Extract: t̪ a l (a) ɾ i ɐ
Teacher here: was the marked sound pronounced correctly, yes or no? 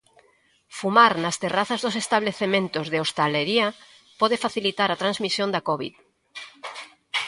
no